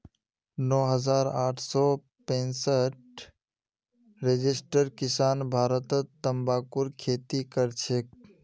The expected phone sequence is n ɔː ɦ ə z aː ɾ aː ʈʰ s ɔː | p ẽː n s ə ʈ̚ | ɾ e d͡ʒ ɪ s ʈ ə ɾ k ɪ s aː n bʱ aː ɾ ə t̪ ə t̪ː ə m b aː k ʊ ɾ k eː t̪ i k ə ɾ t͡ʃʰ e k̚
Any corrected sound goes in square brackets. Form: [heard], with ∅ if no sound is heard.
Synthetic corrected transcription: n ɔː ɦ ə z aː ɾ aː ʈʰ s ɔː | p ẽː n s ə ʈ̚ | ɾ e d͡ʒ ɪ s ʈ ə ɾ k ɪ s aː n bʱ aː ɾ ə t̪ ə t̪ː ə m b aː k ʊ ɾ [kʰ] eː t̪ i k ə ɾ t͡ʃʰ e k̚